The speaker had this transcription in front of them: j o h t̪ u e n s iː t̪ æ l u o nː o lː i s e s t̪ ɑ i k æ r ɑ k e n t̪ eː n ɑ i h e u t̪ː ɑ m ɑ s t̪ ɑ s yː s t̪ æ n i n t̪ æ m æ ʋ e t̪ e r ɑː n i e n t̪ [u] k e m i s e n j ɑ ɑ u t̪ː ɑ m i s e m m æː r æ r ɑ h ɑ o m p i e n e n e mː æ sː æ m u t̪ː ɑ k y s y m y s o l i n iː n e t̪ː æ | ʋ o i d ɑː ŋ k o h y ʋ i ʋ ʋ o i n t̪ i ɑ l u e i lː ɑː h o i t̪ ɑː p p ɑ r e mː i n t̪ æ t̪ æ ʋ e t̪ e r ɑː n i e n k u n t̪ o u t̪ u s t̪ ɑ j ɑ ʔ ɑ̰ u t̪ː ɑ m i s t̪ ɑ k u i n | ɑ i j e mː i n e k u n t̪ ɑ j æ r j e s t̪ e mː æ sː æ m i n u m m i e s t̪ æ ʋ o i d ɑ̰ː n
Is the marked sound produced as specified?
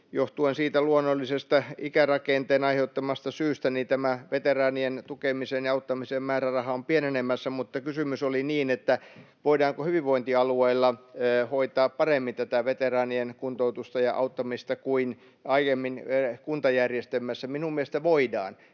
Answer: yes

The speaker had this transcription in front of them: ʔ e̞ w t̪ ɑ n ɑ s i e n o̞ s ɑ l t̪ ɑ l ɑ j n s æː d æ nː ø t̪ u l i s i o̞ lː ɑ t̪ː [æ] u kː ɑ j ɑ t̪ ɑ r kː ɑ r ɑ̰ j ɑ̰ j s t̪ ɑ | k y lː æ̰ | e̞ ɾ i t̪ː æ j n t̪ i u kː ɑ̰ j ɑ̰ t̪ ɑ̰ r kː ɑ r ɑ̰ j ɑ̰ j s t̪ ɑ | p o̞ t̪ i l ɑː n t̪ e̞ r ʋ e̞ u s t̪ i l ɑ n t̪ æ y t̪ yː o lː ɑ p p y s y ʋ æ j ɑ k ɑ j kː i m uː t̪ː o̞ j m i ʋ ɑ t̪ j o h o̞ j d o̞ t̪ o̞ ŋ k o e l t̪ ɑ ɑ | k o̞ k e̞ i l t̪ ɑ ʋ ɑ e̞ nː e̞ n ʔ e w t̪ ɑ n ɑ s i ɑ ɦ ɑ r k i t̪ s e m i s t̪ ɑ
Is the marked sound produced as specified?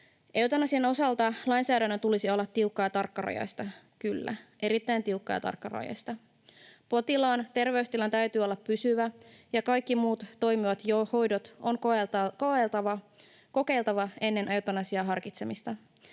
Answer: no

